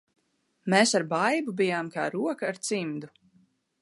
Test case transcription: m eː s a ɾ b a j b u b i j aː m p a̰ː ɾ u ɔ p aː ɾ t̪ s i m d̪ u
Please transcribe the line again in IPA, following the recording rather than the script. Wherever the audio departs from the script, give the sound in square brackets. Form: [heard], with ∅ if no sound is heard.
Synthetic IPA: m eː s a ɾ b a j b u b i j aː m [k] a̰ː ɾ u ɔ [k] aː ɾ t̪ s i m d̪ u